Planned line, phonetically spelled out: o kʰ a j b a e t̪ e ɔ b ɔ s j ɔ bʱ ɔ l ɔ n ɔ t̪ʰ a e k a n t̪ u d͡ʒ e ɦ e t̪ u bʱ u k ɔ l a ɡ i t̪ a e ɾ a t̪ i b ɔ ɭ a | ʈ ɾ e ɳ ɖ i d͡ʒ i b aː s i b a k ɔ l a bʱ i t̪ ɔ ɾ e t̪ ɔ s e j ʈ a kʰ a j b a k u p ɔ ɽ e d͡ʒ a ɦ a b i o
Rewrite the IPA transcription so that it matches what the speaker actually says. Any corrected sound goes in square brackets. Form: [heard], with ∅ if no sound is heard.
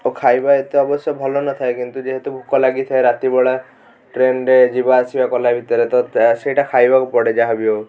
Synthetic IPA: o kʰ a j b a e t̪ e ɔ b ɔ s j ɔ bʱ ɔ l ɔ n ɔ t̪ʰ a e k [i] n t̪ u d͡ʒ e ɦ e t̪ u bʱ u k ɔ l a ɡ i [t̪ʰ] a e ɾ a t̪ i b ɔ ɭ a | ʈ ɾ e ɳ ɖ [e] d͡ʒ i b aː s i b a k ɔ l a bʱ i t̪ ɔ ɾ e t̪ ɔ s e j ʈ a kʰ a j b a k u p ɔ ɽ e d͡ʒ a ɦ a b i o